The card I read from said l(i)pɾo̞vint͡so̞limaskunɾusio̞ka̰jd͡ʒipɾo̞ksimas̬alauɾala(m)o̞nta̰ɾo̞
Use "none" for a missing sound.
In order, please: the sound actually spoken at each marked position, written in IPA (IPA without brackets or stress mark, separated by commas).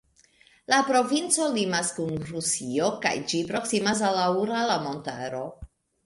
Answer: a, m